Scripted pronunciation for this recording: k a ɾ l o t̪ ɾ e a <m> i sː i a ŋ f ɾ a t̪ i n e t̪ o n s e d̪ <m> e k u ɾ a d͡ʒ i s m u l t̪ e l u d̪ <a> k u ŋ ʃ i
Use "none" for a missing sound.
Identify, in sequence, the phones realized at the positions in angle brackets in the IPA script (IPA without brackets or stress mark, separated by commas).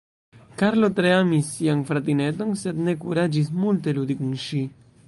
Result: m, n, i